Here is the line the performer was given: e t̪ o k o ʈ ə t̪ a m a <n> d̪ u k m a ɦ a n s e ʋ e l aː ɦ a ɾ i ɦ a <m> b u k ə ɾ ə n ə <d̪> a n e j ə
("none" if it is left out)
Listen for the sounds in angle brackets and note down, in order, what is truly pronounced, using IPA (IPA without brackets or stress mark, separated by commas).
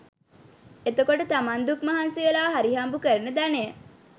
n, m, d̪